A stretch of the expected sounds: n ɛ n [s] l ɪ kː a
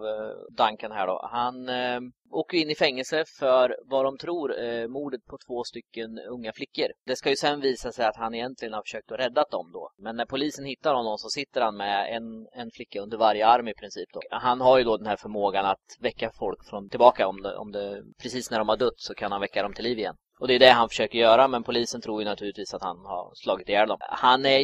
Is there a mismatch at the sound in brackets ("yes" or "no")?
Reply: yes